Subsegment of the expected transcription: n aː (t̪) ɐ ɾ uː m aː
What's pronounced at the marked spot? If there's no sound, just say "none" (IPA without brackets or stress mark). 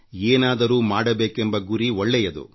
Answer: d̪